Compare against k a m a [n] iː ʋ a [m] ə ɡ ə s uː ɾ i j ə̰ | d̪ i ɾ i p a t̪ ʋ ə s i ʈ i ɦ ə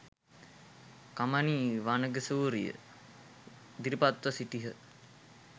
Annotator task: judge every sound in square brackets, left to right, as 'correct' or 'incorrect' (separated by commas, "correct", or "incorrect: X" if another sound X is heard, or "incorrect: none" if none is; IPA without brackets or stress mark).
correct, incorrect: n